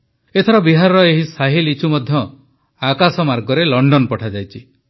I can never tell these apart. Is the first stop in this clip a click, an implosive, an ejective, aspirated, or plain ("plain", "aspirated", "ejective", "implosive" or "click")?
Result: aspirated